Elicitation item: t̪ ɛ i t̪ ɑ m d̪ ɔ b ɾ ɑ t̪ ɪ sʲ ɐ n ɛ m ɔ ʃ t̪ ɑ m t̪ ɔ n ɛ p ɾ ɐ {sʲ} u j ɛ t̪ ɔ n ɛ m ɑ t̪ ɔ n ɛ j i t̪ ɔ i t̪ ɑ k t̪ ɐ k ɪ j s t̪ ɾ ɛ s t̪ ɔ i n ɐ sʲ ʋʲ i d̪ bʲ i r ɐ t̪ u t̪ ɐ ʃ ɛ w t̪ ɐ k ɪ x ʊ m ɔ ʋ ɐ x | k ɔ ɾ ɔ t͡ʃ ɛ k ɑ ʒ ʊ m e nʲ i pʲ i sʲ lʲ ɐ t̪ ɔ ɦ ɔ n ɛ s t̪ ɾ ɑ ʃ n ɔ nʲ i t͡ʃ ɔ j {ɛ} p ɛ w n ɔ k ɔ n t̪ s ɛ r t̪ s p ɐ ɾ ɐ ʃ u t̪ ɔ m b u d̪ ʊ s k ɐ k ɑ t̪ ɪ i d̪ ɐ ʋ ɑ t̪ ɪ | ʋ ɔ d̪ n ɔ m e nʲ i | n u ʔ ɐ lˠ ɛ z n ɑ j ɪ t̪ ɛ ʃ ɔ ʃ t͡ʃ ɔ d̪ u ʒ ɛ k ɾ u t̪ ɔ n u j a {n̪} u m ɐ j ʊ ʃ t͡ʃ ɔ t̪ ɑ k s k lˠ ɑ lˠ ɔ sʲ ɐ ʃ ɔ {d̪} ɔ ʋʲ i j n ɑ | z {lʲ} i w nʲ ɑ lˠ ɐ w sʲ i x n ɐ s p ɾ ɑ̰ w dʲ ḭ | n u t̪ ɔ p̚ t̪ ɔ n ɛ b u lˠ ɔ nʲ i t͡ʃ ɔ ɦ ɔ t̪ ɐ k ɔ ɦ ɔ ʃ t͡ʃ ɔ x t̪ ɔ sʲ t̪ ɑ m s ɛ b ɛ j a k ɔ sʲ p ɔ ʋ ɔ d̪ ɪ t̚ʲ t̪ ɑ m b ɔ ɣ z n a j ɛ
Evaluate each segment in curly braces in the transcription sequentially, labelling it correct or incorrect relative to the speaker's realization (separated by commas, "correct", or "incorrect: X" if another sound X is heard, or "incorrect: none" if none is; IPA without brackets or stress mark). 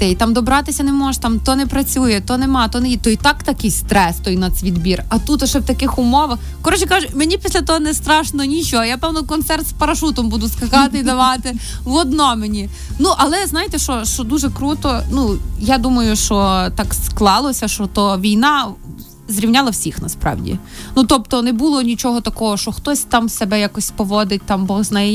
incorrect: t͡sʲ, incorrect: a, incorrect: d̪, incorrect: t̪, incorrect: ɾʲ